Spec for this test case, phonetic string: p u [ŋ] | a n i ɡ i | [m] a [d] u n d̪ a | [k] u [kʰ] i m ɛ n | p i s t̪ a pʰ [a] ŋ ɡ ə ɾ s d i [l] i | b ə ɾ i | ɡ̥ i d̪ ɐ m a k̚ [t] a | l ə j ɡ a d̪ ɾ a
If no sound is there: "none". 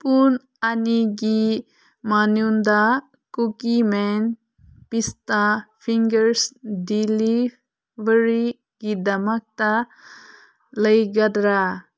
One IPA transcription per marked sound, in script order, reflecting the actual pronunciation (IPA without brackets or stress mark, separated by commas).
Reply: n, m, n, k, k, i, l, t